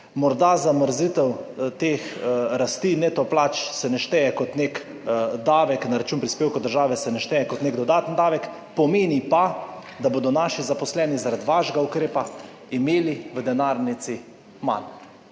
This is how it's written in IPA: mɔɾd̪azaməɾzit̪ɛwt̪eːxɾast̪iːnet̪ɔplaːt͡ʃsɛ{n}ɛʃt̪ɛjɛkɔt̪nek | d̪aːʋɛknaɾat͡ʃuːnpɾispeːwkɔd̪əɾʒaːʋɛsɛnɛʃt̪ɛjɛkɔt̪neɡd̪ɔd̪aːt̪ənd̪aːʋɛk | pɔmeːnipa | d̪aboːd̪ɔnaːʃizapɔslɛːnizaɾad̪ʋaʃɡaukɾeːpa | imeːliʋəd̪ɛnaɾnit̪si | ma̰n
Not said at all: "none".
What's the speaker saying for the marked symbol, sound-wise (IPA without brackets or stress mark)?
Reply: n